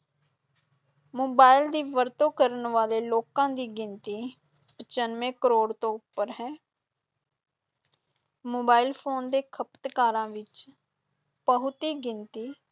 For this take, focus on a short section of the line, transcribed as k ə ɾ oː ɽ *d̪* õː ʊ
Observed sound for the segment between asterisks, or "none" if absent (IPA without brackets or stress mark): t̪